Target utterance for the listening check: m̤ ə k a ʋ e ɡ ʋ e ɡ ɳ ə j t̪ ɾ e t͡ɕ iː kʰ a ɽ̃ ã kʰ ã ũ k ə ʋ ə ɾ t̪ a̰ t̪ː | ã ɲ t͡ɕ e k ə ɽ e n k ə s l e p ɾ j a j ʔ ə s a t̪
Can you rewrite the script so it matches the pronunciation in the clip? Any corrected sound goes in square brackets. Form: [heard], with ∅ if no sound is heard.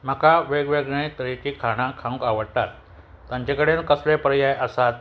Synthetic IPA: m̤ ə k a ʋ e ɡ ʋ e ɡ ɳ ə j t̪ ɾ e t͡ɕ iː kʰ a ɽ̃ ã kʰ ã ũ k [a] ʋ ə [ɽ] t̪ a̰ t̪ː | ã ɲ t͡ɕ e k ə ɽ e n k ə s l e p ɾ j a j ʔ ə s a t̪